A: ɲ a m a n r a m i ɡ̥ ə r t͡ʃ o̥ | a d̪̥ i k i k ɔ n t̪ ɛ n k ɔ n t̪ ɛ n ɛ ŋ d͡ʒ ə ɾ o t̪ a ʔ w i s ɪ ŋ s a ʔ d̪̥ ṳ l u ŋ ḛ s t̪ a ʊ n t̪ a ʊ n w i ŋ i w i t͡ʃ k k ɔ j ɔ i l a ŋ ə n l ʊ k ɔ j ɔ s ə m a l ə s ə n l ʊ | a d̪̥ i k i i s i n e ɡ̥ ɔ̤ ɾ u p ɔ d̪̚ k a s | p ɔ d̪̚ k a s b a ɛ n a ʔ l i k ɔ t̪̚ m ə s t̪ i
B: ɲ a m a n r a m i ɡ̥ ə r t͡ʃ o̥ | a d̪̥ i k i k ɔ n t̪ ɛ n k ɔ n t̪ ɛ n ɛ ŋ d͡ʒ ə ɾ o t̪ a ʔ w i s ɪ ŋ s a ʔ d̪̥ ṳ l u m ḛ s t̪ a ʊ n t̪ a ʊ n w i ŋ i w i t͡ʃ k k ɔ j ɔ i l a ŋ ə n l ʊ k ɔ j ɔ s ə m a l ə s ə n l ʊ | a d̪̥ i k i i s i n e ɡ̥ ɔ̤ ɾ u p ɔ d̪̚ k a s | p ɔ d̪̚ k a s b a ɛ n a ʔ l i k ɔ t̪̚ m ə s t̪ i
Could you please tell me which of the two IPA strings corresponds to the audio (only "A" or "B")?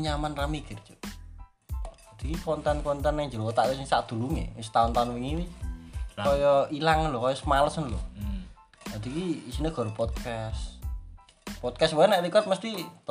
A